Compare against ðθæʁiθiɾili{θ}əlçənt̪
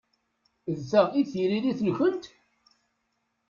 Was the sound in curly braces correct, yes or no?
yes